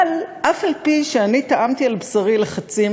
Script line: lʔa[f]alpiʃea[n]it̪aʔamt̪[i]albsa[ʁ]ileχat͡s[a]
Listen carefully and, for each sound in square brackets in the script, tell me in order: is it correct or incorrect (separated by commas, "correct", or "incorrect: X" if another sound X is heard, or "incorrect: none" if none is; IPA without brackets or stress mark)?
correct, correct, correct, correct, incorrect: i